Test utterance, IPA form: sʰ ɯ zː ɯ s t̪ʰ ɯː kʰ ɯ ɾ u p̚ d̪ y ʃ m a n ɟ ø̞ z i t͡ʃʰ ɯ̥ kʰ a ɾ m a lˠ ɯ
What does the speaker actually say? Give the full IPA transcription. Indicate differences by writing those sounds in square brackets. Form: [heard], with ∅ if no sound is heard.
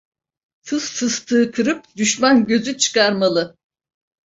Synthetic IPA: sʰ ɯ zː ɯ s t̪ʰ ɯː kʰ ɯ ɾ [ɯ] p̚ d̪ y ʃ m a n ɟ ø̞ z [y] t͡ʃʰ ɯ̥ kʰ a ɾ m a lˠ ɯ